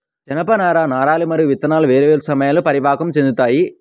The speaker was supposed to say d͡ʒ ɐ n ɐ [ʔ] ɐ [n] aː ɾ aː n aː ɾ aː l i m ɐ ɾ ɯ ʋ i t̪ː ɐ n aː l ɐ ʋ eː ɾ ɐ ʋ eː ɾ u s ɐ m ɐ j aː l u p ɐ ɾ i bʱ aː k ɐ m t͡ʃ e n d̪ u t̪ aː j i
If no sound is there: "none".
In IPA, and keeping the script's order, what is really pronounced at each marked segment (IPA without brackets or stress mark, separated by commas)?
p, n